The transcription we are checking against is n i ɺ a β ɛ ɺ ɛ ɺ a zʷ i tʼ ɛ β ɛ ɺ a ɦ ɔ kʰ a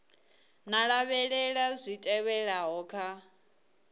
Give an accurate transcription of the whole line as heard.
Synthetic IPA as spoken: n a ɺ a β ɛ ɺ ɛ ɺ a zʷ i tʼ ɛ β ɛ ɺ a ɦ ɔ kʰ a